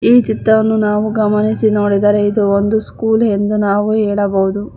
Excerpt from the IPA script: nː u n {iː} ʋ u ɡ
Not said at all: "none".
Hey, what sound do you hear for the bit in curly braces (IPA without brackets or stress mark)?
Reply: aː